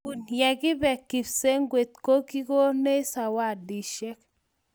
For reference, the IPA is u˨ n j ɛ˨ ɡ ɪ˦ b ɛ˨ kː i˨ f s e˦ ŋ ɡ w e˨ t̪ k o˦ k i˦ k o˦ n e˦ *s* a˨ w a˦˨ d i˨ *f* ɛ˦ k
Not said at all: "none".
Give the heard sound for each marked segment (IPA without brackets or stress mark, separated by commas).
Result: s, ʃ